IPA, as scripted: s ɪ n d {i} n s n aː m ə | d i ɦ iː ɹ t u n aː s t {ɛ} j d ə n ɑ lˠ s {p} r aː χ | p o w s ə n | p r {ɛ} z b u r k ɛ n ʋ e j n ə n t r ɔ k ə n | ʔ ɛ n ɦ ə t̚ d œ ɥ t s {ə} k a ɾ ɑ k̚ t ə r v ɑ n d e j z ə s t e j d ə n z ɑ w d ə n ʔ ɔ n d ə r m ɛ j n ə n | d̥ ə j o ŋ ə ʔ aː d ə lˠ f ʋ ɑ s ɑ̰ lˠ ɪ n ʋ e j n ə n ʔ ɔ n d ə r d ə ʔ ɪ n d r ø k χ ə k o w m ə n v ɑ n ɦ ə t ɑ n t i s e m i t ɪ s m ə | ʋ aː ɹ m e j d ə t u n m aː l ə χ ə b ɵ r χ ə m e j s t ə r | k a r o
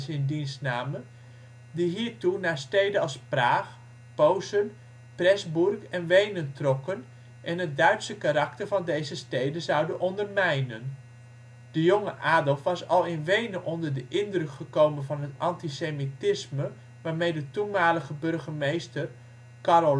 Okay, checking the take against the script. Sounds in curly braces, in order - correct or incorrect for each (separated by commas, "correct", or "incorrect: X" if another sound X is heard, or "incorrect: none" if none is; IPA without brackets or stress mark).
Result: correct, incorrect: e, correct, correct, correct